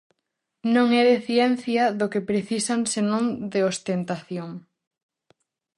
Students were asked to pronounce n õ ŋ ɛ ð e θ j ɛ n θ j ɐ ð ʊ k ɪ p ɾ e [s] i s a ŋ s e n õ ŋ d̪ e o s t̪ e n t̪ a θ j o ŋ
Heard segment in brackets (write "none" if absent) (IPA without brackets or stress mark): θ